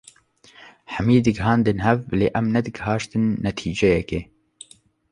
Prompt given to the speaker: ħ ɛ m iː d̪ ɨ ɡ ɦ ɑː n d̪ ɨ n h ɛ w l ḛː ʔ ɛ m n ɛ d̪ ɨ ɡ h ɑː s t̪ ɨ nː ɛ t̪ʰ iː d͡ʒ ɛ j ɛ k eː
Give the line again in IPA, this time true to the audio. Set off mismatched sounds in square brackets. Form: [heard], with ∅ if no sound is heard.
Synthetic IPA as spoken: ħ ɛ m iː d̪ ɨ ɡ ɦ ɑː n d̪ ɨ n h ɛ [v] l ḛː ʔ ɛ m n ɛ d̪ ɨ ɡ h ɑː [ʃ] t̪ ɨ nː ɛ t̪ʰ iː d͡ʒ ɛ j ɛ k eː